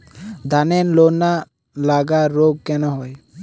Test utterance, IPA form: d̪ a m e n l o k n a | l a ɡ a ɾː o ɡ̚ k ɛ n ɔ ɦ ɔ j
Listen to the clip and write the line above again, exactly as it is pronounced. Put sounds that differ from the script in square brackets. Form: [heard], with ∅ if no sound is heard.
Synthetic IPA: d̪ a [n] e n l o [∅] n a | l a ɡ a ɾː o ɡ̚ k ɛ n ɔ ɦ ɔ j

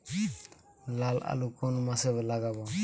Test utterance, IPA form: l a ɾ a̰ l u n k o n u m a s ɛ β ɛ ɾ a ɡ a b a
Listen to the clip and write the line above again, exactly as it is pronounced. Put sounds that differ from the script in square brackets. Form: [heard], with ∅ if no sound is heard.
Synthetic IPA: l a [l] a̰ l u [∅] k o n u m a s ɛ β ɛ [l] a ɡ a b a

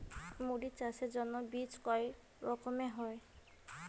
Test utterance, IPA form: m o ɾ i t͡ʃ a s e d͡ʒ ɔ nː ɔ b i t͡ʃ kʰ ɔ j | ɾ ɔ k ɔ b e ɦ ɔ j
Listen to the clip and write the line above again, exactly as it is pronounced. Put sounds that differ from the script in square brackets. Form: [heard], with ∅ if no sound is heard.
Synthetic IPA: m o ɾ i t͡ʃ a s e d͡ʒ ɔ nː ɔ b i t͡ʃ [k] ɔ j | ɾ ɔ k ɔ [m] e ɦ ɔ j

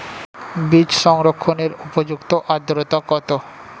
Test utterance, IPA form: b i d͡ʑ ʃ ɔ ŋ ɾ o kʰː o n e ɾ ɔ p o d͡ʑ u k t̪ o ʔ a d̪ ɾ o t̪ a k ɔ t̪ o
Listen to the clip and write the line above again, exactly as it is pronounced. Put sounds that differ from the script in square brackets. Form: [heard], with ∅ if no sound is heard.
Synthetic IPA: b i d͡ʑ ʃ ɔ ŋ ɾ o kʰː o n e ɾ [u] p o d͡ʑ u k t̪ o ʔ a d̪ ɾ o t̪ a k ɔ t̪ o

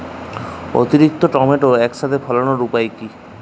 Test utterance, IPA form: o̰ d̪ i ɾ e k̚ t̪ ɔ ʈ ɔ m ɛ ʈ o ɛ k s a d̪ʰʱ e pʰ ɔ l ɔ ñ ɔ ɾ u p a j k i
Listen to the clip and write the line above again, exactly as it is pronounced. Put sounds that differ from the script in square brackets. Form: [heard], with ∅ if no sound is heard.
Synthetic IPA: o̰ [t̪] i ɾ [i] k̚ t̪ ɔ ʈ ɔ m [e] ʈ o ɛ k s a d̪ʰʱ e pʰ ɔ l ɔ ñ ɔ ɾ u p a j k i

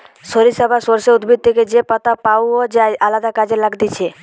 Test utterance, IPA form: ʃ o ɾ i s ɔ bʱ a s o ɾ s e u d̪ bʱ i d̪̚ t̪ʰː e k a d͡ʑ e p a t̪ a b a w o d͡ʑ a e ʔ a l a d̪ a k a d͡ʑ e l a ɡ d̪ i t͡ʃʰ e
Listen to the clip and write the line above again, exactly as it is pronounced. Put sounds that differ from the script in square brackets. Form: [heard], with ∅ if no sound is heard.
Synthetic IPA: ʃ o ɾ i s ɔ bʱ a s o ɾ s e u d̪ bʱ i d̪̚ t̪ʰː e k [e] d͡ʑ e p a t̪ a [p] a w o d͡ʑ a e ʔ a l a d̪ a k a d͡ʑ e l a ɡ d̪ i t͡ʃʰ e

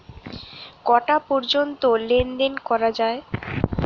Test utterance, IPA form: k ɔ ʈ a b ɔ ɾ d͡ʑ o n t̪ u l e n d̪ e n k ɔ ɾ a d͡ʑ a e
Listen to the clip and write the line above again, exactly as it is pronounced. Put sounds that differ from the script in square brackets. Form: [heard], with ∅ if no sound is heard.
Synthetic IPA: k ɔ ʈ a [p] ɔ ɾ d͡ʑ o n t̪ [o] l e n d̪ e n k ɔ ɾ a d͡ʑ a e

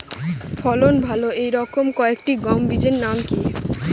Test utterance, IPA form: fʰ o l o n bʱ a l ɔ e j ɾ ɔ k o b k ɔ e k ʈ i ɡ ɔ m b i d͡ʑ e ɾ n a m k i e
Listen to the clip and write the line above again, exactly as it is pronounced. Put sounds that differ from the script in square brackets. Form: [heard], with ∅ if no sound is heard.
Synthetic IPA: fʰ [ɔ] l o n bʱ a l [o] e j ɾ ɔ k o [m] k ɔ e k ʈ i ɡ ɔ m b i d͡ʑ e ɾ n a m k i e

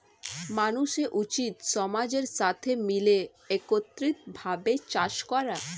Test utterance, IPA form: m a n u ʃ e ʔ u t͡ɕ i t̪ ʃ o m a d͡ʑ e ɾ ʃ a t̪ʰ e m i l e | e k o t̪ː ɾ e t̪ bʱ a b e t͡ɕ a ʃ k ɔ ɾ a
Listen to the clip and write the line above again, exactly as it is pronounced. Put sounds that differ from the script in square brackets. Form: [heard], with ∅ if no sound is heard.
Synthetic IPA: m a n u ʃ e ʔ u t͡ɕ i t̪ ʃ [ɔ] m a d͡ʑ e ɾ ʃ a t̪ʰ e m i l e | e k o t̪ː ɾ [i] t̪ bʱ a b e t͡ɕ a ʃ k ɔ ɾ a

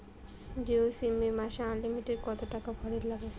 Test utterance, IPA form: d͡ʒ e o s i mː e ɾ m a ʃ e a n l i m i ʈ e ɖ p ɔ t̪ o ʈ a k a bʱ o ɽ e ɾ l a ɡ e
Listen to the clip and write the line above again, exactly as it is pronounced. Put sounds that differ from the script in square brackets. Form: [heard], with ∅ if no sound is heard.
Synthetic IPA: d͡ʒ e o s i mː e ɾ m a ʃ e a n l i m i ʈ e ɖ [k] ɔ t̪ o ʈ a k a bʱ [ɔ] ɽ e ɾ l a ɡ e

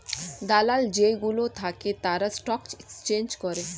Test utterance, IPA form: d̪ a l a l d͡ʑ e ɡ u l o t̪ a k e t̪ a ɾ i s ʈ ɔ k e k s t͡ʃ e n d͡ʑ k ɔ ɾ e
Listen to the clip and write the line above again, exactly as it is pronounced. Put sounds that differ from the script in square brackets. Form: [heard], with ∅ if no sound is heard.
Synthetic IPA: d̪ a l a l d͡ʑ e ɡ u l o [t̪ʰ] a k e t̪ a ɾ [a] s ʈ ɔ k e k s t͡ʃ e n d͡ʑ k ɔ ɾ e

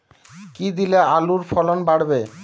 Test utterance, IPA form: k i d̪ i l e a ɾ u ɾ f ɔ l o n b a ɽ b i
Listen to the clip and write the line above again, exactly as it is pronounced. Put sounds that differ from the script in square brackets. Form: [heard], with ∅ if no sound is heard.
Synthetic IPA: k i d̪ i l e a [l] u ɾ f ɔ l o n b a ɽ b [e]

